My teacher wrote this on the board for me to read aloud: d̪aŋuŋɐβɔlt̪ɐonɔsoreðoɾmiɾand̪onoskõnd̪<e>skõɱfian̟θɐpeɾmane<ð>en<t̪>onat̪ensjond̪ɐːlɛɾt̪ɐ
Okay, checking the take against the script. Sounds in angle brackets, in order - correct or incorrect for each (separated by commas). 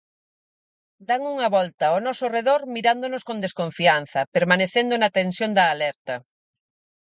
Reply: correct, incorrect, incorrect